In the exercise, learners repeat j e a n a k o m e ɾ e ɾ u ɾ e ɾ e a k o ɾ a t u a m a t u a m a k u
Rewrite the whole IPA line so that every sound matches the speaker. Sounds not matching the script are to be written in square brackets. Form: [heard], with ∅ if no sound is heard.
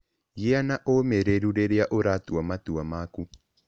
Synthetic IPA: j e a n a [ʔ] o m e ɾ e ɾ u ɾ e ɾ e a [ʔ] o ɾ a t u a m a t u a m a k u